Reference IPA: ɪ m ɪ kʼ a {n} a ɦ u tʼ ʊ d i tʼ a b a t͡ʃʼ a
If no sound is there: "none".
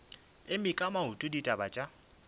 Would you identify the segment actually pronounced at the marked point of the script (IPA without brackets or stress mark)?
m